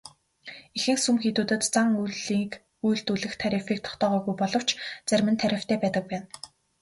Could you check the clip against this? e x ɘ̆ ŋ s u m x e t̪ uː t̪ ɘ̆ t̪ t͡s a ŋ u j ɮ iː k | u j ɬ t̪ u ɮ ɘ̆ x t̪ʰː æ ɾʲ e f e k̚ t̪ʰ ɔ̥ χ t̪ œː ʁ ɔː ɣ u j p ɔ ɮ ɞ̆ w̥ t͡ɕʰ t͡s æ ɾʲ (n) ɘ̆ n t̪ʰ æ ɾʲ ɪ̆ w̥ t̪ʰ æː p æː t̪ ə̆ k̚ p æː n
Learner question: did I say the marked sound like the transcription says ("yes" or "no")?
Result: no